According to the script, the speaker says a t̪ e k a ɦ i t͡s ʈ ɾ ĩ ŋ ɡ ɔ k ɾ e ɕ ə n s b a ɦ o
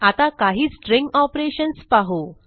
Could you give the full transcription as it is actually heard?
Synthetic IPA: a t̪ a k a ɦ iː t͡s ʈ ɾ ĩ ŋ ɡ ɔ p ɾ e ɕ ə n s p a ɦ o